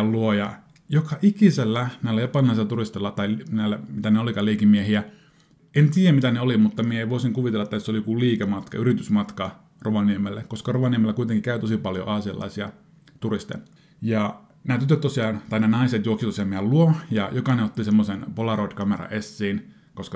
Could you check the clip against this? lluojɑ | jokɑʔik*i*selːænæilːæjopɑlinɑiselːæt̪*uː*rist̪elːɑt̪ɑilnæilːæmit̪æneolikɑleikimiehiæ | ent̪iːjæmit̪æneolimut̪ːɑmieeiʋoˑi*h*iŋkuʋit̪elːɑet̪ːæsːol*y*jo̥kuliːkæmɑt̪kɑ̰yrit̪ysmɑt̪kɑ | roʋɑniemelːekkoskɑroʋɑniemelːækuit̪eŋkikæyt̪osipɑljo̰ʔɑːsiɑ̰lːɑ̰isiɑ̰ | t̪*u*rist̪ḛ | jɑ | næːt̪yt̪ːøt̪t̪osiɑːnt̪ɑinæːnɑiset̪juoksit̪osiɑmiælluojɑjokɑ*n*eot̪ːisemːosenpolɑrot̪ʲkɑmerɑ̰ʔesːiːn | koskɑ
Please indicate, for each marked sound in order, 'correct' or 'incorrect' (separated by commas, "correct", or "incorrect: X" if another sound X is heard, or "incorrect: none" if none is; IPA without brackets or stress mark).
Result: correct, incorrect: u, incorrect: s, incorrect: i, correct, correct